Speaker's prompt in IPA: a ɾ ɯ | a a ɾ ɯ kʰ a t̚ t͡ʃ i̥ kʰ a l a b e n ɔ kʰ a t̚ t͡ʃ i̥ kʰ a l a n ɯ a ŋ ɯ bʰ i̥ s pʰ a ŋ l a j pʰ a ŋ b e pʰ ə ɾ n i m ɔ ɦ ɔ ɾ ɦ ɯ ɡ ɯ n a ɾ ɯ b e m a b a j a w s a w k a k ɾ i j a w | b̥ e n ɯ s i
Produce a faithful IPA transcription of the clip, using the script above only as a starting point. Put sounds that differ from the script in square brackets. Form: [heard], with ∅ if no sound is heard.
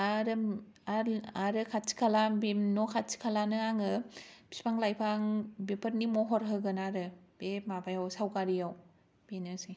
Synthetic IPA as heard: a ɾ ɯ | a a ɾ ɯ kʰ a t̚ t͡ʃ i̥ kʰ a l a b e n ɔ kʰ a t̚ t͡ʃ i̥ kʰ a l a n ɯ a ŋ ɯ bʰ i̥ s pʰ a ŋ l a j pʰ a ŋ b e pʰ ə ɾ n i m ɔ ɦ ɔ ɾ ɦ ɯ ɡ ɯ n a ɾ ɯ b e m a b a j a w s a w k a [∅] ɾ i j a w | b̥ e n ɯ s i